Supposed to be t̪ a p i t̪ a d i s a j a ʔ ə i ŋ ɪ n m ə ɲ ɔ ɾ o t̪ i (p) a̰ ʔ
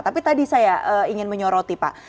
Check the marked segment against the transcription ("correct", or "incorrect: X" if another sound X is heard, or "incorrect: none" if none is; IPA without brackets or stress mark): correct